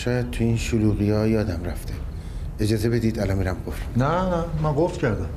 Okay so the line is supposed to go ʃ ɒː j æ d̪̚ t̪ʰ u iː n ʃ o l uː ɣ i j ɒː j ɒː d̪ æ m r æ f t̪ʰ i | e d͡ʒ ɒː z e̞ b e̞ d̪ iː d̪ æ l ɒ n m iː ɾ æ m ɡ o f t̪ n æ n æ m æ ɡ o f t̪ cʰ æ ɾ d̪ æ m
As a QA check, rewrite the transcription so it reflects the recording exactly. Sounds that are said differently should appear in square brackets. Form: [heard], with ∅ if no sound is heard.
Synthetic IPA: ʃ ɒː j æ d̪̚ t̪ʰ u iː n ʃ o l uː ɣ i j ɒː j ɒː d̪ æ m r æ f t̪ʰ [e] | e d͡ʒ ɒː z e̞ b e̞ d̪ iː d̪ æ l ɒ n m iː ɾ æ m ɡ o f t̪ n æ n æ m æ ɡ o f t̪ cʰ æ ɾ d̪ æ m